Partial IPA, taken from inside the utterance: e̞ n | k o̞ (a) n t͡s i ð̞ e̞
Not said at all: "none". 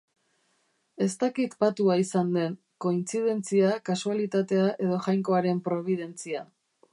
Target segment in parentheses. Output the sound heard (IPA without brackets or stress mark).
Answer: i